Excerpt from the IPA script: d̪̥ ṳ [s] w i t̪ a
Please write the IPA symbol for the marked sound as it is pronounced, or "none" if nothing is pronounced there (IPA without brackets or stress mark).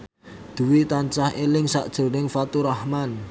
none